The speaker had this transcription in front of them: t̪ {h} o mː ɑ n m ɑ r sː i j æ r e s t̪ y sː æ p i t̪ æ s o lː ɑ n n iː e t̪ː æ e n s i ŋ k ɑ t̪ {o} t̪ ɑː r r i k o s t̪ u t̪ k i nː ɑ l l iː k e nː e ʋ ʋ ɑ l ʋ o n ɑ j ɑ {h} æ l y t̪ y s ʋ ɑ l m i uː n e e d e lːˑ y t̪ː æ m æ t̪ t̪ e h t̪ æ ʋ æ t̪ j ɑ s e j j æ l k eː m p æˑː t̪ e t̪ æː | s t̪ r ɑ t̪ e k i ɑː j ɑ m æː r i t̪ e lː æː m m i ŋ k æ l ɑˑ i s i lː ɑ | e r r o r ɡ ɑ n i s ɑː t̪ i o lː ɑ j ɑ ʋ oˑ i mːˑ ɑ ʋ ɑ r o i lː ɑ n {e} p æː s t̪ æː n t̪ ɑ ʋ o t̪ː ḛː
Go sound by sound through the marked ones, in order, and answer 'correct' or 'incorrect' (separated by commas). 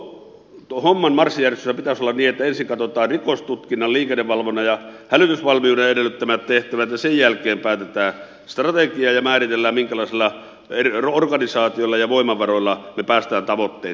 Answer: correct, correct, correct, correct